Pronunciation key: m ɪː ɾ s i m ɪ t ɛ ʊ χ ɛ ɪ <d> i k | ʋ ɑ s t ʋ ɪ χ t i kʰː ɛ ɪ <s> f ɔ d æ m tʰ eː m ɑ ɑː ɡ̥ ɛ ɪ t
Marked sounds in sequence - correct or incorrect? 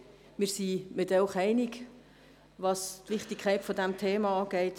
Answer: incorrect: n, incorrect: t

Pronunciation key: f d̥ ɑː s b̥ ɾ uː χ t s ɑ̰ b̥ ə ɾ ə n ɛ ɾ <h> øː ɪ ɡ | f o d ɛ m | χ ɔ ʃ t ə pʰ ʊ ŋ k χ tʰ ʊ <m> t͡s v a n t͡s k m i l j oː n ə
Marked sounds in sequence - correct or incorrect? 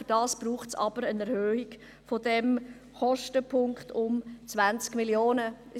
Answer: correct, correct

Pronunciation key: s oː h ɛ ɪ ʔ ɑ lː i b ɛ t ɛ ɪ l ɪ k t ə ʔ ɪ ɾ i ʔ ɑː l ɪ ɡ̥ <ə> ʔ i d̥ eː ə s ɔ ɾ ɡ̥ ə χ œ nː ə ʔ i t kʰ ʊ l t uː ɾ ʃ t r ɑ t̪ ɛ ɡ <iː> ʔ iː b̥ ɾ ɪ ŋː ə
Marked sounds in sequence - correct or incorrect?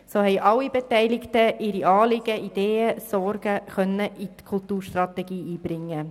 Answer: correct, correct

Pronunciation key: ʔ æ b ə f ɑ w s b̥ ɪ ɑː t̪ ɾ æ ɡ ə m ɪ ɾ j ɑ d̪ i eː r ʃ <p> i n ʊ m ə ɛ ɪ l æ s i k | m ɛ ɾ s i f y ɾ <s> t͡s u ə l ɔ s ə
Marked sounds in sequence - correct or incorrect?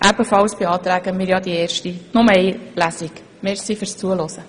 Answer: incorrect: t, correct

